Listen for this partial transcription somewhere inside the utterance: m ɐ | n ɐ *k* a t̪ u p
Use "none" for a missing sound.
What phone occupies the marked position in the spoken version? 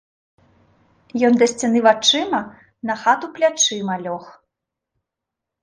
x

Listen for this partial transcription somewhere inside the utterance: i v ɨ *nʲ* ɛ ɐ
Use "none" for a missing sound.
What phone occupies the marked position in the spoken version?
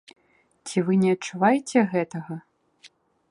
nʲ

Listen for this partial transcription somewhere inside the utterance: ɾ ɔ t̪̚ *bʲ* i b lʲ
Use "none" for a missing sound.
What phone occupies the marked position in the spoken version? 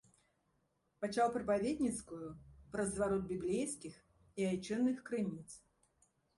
bʲ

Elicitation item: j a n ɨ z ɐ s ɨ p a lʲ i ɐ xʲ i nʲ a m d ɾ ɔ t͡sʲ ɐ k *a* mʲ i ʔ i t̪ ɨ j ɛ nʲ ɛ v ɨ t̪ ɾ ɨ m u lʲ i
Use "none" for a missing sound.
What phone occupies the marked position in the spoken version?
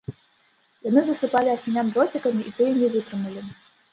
ɐ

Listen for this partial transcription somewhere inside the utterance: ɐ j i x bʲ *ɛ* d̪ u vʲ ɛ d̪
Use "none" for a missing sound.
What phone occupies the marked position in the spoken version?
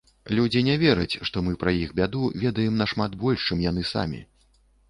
a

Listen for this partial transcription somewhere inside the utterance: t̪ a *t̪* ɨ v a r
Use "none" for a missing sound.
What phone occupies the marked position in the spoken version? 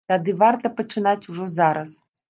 d̪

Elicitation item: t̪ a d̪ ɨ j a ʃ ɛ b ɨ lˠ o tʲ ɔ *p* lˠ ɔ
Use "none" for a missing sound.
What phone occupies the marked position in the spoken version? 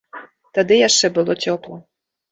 p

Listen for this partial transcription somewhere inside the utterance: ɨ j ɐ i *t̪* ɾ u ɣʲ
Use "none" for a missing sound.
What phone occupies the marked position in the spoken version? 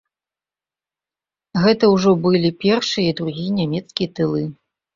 d̪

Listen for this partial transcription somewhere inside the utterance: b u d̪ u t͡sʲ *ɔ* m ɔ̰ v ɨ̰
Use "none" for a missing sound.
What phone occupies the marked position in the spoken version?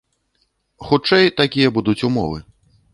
u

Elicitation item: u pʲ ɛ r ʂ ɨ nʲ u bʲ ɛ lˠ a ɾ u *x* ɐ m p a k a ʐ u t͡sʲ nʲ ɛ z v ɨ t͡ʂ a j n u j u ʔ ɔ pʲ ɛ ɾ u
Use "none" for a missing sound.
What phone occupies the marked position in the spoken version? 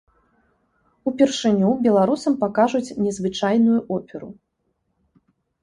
s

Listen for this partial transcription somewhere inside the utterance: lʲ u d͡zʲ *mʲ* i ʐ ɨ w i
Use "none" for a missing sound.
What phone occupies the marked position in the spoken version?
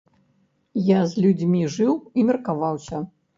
mʲ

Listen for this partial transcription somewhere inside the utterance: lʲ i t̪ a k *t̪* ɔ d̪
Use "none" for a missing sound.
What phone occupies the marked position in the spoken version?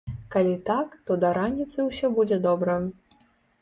t̪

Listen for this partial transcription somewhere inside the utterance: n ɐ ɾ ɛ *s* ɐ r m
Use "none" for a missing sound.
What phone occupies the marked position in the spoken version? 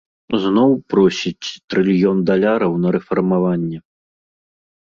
f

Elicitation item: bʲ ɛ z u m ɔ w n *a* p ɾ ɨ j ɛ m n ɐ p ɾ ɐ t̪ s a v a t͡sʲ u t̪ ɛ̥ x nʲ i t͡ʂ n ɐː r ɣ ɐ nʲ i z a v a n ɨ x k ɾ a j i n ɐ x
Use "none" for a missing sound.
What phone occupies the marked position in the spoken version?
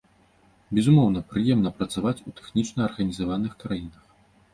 ɐ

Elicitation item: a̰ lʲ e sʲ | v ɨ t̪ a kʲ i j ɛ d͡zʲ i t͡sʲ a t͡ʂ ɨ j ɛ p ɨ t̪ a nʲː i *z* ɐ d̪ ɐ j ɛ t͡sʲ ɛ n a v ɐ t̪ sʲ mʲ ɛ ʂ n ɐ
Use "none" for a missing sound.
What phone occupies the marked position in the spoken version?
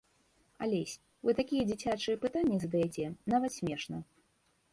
z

